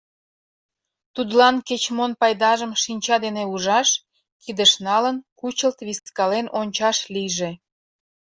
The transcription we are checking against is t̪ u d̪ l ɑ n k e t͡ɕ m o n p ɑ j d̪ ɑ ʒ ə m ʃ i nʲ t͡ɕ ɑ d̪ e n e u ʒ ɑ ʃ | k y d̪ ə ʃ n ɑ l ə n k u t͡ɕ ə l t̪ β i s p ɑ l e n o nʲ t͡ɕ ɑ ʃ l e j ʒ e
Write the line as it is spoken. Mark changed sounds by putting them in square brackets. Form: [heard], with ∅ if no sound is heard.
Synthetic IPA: t̪ u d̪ l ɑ n k e t͡ɕ m o n p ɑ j d̪ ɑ ʒ ə m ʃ i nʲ t͡ɕ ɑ d̪ e n e u ʒ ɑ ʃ | k [i] d̪ ə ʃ n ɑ l ə n k u t͡ɕ ə l t̪ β i s [k] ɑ l e n o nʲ t͡ɕ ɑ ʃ l [i] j ʒ e